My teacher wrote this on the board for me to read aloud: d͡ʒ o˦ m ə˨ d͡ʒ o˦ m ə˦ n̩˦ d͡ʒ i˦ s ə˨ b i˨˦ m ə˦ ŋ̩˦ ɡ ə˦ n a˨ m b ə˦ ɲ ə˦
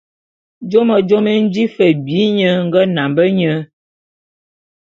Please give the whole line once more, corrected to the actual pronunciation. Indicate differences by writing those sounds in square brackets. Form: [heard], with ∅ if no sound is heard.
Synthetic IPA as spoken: d͡ʒ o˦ m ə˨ d͡ʒ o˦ m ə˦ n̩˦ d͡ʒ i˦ [f] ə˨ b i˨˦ [ɲ] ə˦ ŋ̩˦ ɡ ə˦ n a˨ m b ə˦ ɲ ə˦